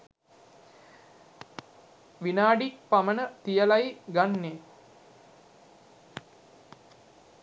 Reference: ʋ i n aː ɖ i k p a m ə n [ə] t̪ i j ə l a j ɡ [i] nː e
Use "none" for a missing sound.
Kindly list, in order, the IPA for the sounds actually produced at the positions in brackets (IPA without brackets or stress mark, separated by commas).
ə, a